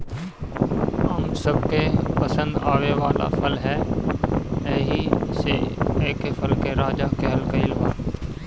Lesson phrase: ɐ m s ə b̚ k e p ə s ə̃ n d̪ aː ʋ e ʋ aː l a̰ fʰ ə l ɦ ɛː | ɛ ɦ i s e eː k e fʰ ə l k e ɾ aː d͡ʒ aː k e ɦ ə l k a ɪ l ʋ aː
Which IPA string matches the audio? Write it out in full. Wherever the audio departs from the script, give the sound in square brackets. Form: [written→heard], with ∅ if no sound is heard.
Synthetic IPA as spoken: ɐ m s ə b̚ k e p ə s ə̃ n d̪ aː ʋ e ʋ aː l a̰ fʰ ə l ɦ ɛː | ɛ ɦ i s e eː k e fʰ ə l k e ɾ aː d͡ʒ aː k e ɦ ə l k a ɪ l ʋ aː